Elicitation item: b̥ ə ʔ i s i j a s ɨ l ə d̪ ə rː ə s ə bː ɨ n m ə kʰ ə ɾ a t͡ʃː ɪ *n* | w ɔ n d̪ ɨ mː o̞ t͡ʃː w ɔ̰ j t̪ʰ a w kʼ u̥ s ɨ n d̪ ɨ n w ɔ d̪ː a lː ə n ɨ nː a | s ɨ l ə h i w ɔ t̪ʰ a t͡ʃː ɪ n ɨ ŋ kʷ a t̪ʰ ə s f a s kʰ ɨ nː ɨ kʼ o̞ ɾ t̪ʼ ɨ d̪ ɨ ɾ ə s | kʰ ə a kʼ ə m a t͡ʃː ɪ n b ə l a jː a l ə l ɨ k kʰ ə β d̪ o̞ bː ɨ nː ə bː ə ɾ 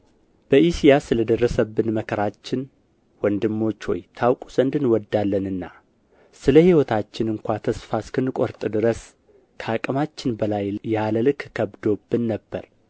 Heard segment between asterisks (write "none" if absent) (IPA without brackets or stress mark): n